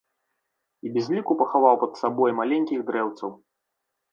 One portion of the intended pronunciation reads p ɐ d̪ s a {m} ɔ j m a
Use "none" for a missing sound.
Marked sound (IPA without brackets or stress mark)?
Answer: b